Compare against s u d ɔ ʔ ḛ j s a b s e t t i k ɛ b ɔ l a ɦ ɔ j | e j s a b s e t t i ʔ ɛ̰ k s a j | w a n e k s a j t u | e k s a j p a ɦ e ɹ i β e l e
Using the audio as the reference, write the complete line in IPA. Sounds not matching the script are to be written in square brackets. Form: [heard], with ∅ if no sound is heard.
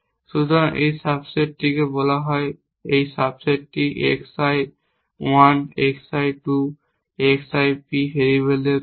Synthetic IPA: s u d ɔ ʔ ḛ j s a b s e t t i k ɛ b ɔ l a ɦ ɔ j | e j s a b s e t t i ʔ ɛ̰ k s a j | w a n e k s a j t u | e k s a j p [i] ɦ e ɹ i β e l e